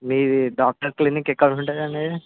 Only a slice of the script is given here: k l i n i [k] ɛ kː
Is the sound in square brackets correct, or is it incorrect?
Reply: correct